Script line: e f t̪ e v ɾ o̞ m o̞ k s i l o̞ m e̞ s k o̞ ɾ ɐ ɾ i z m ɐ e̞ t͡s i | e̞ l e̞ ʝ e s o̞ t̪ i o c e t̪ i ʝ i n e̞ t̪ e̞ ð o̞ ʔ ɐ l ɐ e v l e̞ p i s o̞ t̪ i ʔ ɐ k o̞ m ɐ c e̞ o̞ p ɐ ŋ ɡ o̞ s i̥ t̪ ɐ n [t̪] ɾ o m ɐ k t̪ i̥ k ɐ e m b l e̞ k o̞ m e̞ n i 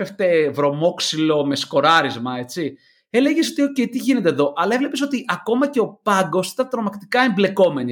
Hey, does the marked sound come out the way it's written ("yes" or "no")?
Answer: yes